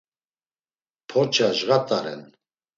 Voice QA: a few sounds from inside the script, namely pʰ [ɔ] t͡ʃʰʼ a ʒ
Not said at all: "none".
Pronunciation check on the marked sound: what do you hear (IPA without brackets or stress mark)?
ɔ